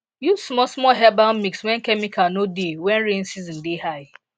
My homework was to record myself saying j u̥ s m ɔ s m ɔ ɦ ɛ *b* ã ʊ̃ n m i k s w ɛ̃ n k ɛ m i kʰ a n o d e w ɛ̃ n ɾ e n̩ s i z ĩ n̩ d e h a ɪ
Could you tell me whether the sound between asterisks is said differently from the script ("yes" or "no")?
no